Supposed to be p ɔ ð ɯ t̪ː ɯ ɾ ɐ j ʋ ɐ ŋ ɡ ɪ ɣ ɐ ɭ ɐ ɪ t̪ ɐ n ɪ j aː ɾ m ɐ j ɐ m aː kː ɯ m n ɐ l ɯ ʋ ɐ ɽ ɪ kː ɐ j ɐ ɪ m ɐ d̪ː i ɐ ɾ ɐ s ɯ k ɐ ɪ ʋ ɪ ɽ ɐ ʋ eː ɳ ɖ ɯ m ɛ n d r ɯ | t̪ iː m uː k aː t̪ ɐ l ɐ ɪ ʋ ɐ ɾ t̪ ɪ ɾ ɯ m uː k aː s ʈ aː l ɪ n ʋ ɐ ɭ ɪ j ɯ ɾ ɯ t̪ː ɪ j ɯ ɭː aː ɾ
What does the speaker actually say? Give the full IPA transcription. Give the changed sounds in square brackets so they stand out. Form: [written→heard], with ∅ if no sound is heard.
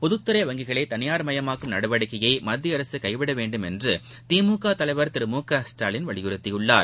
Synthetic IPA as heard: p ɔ ð ɯ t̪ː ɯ ɾ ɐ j ʋ ɐ ŋ ɡ ɪ ɣ ɐ ɭ ɐ ɪ t̪ ɐ n ɪ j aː ɾ m ɐ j ɐ m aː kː ɯ m n ɐ [l→ɽ] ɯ ʋ ɐ ɽ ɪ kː ɐ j ɐ ɪ m ɐ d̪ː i ɐ ɾ ɐ s ɯ k ɐ ɪ ʋ ɪ ɽ ɐ ʋ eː ɳ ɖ ɯ m ɛ n d r ɯ | t̪ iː m uː k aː t̪ ɐ l ɐ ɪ ʋ ɐ ɾ t̪ ɪ ɾ ɯ m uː k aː s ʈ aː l ɪ n ʋ ɐ ɭ ɪ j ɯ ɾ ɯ t̪ː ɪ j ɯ ɭː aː ɾ

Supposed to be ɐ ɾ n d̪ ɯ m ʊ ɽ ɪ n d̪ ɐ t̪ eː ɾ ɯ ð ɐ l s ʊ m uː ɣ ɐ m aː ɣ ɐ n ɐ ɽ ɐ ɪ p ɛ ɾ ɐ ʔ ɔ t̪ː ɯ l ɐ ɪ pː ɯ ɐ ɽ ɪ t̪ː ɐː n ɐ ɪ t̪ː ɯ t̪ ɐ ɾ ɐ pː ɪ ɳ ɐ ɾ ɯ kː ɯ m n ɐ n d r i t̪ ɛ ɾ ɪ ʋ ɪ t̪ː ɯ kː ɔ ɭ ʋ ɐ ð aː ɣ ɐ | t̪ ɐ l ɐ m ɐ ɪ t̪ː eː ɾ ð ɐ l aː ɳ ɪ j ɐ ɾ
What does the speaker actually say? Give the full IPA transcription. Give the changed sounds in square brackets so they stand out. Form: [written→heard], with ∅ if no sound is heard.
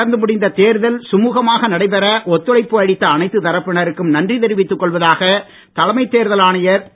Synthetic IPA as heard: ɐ ɾ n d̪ ɯ m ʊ ɽ ɪ n d̪ ɐ t̪ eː ɾ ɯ ð ɐ l s ʊ m uː ɣ ɐ m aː ɣ ɐ n ɐ ɽ ɐ ɪ p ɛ ɾ ɐ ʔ ɔ t̪ː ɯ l ɐ ɪ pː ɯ ɐ ɽ ɪ t̪ː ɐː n ɐ ɪ t̪ː ɯ t̪ ɐ ɾ ɐ pː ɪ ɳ ɐ ɾ ɯ kː ɯ m n ɐ n d r i t̪ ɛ ɾ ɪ ʋ ɪ t̪ː ɯ kː ɔ ɭ ʋ ɐ ð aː ɣ ɐ | t̪ ɐ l ɐ m ɐ ɪ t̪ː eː ɾ ð ɐ l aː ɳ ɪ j ɐ ɾ

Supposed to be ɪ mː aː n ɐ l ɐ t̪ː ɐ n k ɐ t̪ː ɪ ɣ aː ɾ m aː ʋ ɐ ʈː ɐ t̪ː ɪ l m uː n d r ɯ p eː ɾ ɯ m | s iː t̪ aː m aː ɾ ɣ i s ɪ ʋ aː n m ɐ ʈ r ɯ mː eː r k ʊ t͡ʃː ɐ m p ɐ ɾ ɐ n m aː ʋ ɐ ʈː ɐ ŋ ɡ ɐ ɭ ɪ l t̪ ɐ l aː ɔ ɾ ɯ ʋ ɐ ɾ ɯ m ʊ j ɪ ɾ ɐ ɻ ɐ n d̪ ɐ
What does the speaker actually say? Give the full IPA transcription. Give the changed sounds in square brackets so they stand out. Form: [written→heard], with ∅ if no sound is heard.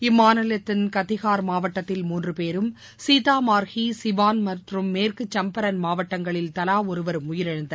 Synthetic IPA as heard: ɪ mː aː n ɐ l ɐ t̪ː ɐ n k ɐ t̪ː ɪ ɣ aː ɾ m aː ʋ ɐ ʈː ɐ t̪ː ɪ l m uː n d r ɯ p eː ɾ ɯ m | s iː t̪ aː m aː ɾ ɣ i s ɪ ʋ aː n m ɐ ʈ r ɯ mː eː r k [ʊ→ɯ] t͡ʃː ɐ m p ɐ ɾ ɐ n m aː ʋ ɐ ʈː ɐ ŋ ɡ ɐ ɭ ɪ l t̪ ɐ l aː ɔ ɾ ɯ ʋ ɐ ɾ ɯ m ʊ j ɪ ɾ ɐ ɻ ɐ n d̪ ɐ

